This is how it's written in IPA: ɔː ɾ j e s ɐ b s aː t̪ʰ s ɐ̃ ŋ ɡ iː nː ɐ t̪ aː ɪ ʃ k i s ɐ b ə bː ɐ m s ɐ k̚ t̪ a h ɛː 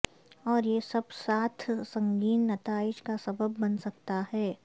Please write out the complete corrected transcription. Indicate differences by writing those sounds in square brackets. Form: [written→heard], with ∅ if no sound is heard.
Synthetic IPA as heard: ɔː ɾ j e s ɐ b s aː t̪ʰ s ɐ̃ ŋ ɡ iː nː ɐ t̪ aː ɪ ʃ k [i→a] s ɐ b ə bː ɐ [m→n] s ɐ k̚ t̪ a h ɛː